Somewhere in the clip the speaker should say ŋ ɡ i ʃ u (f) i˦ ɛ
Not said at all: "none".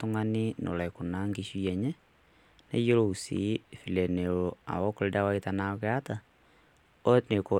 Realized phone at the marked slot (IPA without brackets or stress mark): none